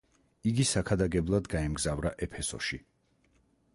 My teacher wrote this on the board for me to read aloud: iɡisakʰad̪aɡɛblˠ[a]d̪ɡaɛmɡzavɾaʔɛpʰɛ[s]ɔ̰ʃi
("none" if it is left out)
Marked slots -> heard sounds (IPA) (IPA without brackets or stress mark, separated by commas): a, s